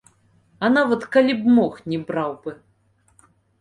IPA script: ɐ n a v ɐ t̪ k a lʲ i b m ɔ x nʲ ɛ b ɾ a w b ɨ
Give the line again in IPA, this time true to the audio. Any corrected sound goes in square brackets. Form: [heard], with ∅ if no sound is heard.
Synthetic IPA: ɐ n a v ɐ t̪ k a lʲ i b m ɔ x nʲ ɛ b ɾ a w b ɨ

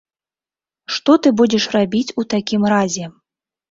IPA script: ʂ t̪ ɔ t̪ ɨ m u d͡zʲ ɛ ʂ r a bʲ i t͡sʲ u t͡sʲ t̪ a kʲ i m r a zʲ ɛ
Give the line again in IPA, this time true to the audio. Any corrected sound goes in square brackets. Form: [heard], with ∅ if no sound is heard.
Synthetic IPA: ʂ t̪ ɔ t̪ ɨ [b] u d͡zʲ ɛ ʂ r a bʲ i t͡sʲ u [∅] t̪ a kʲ i m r a zʲ ɛ

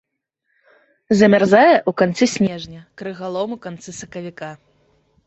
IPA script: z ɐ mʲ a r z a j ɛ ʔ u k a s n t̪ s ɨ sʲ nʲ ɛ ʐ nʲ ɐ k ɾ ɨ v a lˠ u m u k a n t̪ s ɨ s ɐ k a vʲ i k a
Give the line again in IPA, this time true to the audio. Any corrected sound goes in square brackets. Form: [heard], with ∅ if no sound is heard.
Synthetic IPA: z ɐ mʲ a r z a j ɛ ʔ u k a [∅] n t̪ s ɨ sʲ nʲ ɛ ʐ nʲ ɐ k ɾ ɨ [ɣ] a lˠ [ɔ] m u k a n t̪ s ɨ s ɐ k [ɐ] vʲ i k a

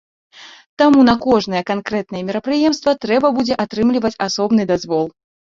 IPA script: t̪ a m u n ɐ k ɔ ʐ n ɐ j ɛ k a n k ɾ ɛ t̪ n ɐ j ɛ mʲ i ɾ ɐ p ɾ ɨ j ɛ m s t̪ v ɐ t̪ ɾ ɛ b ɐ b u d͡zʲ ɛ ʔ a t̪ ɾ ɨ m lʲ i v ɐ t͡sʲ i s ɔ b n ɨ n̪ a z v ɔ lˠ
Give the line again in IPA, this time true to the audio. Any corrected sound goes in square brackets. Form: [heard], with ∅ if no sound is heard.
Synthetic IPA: t̪ a m u n ɐ k ɔ ʐ n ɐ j ɛ k a n k ɾ ɛ t̪ n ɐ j ɛ mʲ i ɾ ɐ p ɾ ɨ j ɛ m s t̪ v ɐ t̪ ɾ ɛ b ɐ b u d͡zʲ ɛ ʔ a t̪ ɾ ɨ m lʲ i v ɐ t͡sʲ [a] s ɔ b n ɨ [d̪] a z v ɔ lˠ

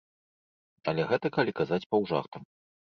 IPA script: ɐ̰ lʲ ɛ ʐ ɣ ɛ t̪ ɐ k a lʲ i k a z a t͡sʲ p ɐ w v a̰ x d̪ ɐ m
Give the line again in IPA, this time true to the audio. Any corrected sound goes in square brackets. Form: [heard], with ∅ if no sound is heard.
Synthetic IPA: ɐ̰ lʲ ɛ [∅] ɣ ɛ t̪ ɐ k a lʲ i k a z a t͡sʲ p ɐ w [ʐ] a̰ x [t̪] ɐ m

